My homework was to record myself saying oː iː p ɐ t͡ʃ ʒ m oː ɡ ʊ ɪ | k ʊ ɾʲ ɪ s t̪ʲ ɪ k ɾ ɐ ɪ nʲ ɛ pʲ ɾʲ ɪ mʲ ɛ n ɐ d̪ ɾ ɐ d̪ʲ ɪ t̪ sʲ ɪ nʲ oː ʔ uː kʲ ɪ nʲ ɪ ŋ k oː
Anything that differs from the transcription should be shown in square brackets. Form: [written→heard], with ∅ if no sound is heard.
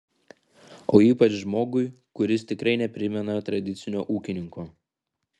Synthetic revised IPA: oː iː p ɐ t͡ʃ ʒ m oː ɡ ʊ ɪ | k ʊ ɾʲ ɪ s t̪ʲ ɪ k ɾ ɐ ɪ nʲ ɛ pʲ ɾʲ ɪ mʲ ɛ n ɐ [d̪→t̪] ɾ ɐ d̪ʲ ɪ t̪ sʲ ɪ nʲ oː ʔ uː kʲ ɪ nʲ ɪ ŋ k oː